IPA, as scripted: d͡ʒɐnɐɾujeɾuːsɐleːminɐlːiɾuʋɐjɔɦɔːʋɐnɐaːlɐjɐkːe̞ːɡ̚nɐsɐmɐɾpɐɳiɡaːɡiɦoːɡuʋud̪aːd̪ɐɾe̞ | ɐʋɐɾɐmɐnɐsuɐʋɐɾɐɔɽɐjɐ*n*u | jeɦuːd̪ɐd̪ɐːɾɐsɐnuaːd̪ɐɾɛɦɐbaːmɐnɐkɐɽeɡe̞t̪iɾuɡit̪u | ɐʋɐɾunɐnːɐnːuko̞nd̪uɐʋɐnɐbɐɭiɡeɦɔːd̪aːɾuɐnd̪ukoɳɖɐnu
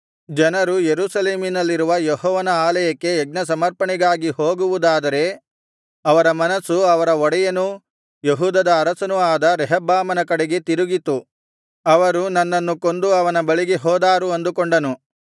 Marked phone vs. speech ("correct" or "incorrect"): correct